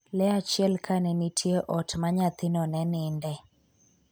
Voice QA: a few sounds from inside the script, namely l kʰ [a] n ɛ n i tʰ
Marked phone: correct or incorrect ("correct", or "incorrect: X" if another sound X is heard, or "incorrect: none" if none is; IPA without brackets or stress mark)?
correct